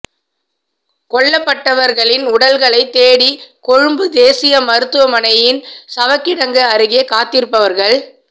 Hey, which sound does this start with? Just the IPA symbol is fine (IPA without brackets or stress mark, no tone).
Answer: k